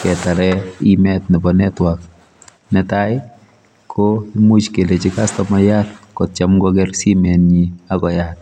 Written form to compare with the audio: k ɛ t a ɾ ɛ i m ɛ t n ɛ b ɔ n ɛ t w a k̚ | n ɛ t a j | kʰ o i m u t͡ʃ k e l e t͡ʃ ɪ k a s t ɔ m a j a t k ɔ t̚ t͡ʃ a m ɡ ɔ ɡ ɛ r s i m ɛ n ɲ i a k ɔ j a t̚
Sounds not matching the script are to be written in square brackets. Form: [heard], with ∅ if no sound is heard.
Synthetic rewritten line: k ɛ t a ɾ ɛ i m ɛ t n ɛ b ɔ n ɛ t w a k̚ | n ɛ t a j | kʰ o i m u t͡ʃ k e l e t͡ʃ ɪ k a s t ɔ m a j a t k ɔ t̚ t͡ʃ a m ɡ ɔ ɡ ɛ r s i m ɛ n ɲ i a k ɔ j a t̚